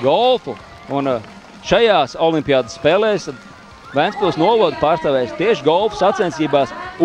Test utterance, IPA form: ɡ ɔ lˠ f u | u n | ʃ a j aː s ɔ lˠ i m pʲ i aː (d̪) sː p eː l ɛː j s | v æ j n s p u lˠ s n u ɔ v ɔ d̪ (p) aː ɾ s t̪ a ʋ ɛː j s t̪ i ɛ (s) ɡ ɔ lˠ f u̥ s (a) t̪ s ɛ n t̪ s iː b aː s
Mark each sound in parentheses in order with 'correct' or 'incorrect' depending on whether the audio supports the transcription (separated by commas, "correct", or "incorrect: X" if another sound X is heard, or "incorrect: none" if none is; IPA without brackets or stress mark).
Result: correct, correct, incorrect: ʃ, correct